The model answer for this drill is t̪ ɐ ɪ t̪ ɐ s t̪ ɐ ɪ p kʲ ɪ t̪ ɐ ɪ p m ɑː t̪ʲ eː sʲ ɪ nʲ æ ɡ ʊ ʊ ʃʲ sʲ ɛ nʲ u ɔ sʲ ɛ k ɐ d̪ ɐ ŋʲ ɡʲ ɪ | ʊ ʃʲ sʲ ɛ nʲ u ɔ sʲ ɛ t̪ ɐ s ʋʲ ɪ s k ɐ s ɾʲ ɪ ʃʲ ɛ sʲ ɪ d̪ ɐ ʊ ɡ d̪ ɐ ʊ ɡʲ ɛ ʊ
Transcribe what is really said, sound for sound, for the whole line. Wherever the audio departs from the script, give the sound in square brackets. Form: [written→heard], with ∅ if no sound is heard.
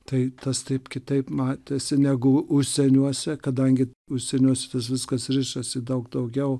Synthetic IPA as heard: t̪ ɐ ɪ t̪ ɐ s t̪ ɐ ɪ p kʲ ɪ t̪ ɐ ɪ p m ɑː t̪ʲ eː sʲ ɪ nʲ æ ɡ ʊ ʊ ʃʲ sʲ ɛ nʲ u ɔ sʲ ɛ k ɐ d̪ ɐ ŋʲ ɡʲ ɪ | ʊ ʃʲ sʲ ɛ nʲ u ɔ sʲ ɛ t̪ ɐ s ʋʲ ɪ s k ɐ s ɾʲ ɪ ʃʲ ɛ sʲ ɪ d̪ ɐ ʊ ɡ d̪ ɐ ʊ ɡʲ ɛ ʊ